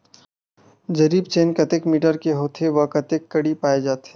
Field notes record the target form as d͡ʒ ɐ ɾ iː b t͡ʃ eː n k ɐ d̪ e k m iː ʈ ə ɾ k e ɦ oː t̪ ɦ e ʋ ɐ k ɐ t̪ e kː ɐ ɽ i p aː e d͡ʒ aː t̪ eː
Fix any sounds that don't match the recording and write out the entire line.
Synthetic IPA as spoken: d͡ʒ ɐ ɾ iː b t͡ʃ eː n k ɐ t̪ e k m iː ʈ ə ɾ k e ɦ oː t̪ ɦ e ʋ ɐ k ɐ t̪ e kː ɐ ɽ i p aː e d͡ʒ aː t̪ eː

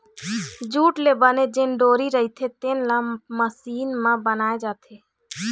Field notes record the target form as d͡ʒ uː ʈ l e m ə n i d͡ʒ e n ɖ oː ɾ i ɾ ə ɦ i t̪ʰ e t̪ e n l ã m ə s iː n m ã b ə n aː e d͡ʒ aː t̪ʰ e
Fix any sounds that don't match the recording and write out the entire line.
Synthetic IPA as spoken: d͡ʒ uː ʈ l e b ə n e d͡ʒ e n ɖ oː ɾ i ɾ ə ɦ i t̪ʰ e t̪ e n l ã m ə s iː n m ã b ə n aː e d͡ʒ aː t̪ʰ e

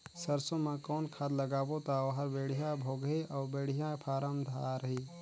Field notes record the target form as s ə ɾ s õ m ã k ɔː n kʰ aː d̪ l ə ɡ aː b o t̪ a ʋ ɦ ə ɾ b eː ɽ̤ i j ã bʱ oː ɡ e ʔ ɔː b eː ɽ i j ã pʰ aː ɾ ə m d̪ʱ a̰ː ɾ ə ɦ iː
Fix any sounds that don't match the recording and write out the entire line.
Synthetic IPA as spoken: s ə ɾ s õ m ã k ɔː n kʰ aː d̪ l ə ɡ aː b o t̪ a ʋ ɦ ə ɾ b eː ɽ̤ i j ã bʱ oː ɡ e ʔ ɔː b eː ɽ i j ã pʰ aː ɾ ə m d̪ʱ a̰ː ɾ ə ɦ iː

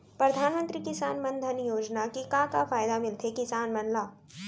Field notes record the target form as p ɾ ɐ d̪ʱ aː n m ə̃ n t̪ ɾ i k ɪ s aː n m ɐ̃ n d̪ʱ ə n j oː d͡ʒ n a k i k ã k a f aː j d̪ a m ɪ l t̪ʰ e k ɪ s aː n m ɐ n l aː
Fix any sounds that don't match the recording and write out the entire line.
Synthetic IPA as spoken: p ɾ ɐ d̪ʱ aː n m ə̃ n t̪ ɾ i k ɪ s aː n m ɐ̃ n d̪ʱ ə n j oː d͡ʒ n a k i k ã k a f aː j d̪ a m ɪ l t̪ʰ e k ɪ s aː n m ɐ n l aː

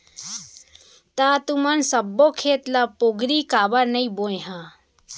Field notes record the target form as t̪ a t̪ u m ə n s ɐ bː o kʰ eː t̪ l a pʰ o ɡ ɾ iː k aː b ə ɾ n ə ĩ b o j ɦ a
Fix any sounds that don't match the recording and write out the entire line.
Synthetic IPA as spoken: t̪ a t̪ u m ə n s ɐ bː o kʰ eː t̪ l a p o ɡ ɾ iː k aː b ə ɾ n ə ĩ b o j ɦ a

